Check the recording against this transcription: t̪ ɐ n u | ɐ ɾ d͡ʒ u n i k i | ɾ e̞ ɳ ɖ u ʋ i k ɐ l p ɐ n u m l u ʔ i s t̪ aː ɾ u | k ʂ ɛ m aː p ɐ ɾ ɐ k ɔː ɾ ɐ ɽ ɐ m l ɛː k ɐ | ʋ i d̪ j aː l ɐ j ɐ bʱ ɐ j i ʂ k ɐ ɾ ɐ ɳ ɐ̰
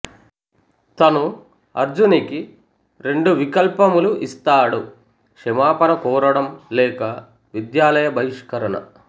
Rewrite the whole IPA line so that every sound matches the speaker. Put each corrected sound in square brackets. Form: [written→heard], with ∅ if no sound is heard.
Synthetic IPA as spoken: t̪ ɐ n u | ɐ ɾ d͡ʒ u n i k i | ɾ e̞ ɳ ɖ u ʋ i k ɐ l p ɐ [n→m] u [m→∅] l u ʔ i s t̪ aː [ɾ→ɽ] u | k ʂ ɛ m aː p ɐ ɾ ɐ k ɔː ɾ ɐ ɽ ɐ m l ɛː k ɐ | ʋ i d̪ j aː l ɐ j ɐ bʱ ɐ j i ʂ k ɐ ɾ ɐ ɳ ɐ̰